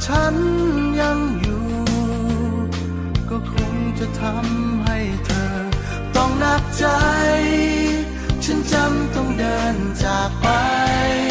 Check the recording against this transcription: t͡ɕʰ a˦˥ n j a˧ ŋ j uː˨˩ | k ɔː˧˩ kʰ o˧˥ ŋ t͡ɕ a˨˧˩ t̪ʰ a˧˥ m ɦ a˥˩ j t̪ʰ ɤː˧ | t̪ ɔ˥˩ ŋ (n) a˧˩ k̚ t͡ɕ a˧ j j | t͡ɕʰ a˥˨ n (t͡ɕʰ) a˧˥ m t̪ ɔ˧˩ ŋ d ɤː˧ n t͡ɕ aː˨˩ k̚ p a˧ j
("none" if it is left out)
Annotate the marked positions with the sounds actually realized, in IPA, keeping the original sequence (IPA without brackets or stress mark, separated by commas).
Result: n, t͡ɕ